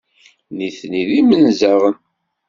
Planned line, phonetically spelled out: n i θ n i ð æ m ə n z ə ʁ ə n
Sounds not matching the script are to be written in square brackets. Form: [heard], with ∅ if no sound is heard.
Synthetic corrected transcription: n i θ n i ð [i] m ə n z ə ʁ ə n